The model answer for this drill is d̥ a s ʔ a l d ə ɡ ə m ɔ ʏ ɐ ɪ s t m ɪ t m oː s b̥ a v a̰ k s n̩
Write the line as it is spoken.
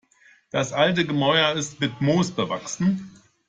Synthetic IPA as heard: d̥ a s ʔ a l t ə ɡ ə m ɔ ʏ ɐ ɪ s t m ɪ t m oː s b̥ ə v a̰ k s n̩

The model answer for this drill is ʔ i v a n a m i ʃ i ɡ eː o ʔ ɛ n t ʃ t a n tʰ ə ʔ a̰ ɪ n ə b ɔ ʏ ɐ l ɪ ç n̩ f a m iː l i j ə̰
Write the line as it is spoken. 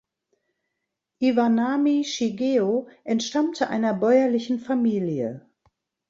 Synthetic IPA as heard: ʔ i v a n a m i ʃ i ɡ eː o ʔ ɛ n t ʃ t a m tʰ ə ʔ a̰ ɪ n ɐ b ɔ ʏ ɐ l ɪ ç n̩ f a m iː l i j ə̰

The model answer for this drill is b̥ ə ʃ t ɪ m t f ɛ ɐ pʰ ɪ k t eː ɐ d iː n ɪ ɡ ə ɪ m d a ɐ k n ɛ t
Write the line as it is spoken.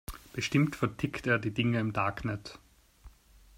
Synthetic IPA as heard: b̥ ə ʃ t ɪ m t f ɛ ɐ tʰ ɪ k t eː ɐ d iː d ɪ ŋ ə ɪ m d a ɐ k n ɛ t

